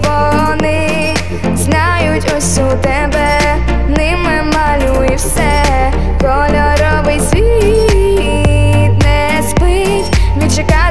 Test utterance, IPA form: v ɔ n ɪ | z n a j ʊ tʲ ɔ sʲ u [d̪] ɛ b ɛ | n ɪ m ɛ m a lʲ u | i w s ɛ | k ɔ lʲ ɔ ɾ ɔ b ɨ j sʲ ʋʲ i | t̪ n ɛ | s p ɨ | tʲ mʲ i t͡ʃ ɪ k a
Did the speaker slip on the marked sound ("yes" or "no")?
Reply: yes